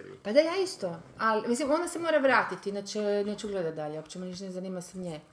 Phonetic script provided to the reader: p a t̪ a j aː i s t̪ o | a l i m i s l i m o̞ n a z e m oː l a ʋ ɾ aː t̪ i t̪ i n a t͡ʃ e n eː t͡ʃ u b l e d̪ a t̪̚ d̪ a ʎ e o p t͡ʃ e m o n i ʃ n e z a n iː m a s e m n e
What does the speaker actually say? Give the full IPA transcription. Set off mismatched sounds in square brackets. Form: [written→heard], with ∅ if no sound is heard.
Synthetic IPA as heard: p a [t̪→d̪] a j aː i s t̪ o | a l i m i s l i m o̞ n a [z→s] e m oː [l→ɾ] a ʋ ɾ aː t̪ i t̪ i n a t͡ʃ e n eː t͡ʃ u [b→ɡ] l e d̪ a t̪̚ d̪ a ʎ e o p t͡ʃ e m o n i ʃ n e z a n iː m a s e m [n→ɲ] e